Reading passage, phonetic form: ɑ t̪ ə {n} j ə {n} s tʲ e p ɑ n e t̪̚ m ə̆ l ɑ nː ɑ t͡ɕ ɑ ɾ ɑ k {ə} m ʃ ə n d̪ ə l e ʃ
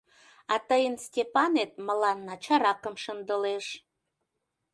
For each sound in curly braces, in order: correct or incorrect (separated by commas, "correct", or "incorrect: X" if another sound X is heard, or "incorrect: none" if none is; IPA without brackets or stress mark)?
incorrect: none, correct, correct